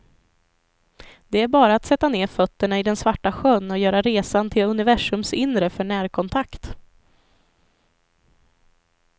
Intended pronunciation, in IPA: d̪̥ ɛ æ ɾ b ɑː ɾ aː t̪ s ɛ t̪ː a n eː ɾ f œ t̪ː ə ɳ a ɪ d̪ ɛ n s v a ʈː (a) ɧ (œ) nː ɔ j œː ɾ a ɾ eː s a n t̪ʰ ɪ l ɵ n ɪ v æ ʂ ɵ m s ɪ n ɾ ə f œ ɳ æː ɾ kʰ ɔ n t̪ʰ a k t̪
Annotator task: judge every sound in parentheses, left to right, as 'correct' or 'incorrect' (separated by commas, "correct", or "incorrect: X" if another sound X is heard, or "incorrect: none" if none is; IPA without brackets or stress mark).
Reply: correct, correct